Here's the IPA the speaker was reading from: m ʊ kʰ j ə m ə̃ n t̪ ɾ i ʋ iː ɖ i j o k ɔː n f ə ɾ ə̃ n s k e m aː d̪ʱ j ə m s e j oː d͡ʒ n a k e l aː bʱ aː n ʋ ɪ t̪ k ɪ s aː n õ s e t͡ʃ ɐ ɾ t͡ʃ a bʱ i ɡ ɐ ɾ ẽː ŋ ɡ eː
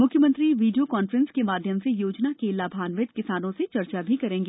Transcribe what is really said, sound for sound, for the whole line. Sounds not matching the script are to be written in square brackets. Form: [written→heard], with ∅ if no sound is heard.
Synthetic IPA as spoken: m ʊ kʰ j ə m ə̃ n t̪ ɾ i ʋ iː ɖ i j o k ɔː n f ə ɾ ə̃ n s k e m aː d̪ʱ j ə m s e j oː d͡ʒ n a k e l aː bʱ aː n ʋ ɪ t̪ k ɪ s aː n õ s e t͡ʃ ɐ ɾ t͡ʃ a bʱ i [ɡ→k] ɐ ɾ ẽː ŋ ɡ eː